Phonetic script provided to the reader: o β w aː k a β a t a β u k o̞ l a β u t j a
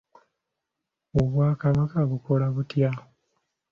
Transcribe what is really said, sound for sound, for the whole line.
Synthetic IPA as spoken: o β w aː k a β a k a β u k o̞ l a β u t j a